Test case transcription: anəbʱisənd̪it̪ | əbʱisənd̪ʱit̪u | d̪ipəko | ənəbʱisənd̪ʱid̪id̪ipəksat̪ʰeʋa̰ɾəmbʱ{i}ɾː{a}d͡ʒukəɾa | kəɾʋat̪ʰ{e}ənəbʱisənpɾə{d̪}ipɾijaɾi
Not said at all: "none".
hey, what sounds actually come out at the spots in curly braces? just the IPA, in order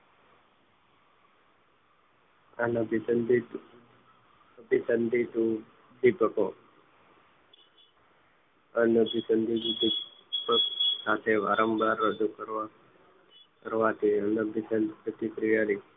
a, ə, i, t̪

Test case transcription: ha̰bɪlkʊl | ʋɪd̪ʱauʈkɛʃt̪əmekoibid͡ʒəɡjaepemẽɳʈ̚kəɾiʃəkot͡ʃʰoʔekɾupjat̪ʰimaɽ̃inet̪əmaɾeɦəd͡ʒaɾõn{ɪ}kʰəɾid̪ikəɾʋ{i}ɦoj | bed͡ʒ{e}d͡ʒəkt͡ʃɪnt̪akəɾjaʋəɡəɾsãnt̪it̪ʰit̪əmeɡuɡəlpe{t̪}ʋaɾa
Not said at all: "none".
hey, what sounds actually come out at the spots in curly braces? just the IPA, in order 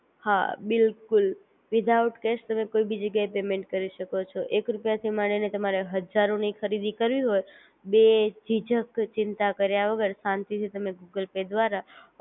i, i, i, d̪

